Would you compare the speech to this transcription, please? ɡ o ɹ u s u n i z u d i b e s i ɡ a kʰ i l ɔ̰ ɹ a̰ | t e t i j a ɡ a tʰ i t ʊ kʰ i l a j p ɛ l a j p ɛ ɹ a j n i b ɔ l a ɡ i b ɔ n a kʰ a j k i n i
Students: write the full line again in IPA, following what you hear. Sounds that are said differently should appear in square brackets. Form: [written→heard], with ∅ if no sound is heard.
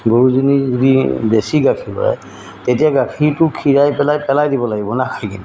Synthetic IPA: ɡ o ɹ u [s→z] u n i z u d i b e s i ɡ a kʰ i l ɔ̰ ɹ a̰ | t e t i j a ɡ a [tʰ→kʰ] i t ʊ kʰ i [l→ɹ] a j p ɛ l a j p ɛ [ɹ→l] a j [n→d] i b ɔ l a ɡ i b ɔ n a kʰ a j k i n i